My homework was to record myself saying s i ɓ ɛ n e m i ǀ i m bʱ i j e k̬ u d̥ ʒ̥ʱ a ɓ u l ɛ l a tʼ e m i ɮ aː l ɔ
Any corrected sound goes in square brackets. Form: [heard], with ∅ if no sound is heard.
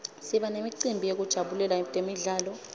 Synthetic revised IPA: s i ɓ [a] n e m i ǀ i m bʱ i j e k̬ u d̥ ʒ̥ʱ a ɓ u l ɛ l a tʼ e m i ɮ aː l ɔ

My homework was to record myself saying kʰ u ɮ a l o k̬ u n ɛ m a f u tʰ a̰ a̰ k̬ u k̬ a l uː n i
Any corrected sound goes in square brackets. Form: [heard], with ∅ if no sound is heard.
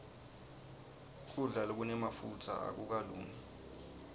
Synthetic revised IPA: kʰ u ɮ a l o k̬ u n ɛ m a f u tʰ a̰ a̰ k̬ u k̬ a l uː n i

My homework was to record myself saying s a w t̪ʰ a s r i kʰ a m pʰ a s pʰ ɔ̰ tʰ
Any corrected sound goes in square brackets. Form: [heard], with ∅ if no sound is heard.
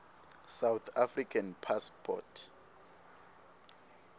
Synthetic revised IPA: s a w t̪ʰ a [f] r i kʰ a [n] pʰ a s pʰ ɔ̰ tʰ

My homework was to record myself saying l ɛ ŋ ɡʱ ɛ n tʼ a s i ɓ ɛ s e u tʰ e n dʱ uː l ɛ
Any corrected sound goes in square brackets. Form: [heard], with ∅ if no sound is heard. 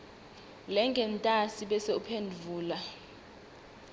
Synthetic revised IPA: l ɛ ŋ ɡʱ ɛ n tʼ a s i ɓ ɛ s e u [pʰ] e n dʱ uː l [a]

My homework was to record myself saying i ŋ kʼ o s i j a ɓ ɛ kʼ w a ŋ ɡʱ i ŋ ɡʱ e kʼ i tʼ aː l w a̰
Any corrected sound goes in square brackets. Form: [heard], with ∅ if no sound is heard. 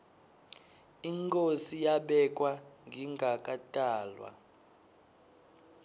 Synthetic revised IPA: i ŋ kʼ o s i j a ɓ ɛ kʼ w a ŋ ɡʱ i ŋ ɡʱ [a] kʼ [a] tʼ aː l w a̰

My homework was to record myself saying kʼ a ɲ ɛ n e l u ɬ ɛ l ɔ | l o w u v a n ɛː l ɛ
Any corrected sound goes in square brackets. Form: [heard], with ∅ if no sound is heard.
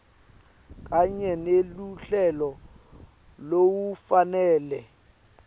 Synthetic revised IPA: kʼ a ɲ ɛ n e l u ɬ ɛ l ɔ | l o w u [f] a n ɛː l ɛ

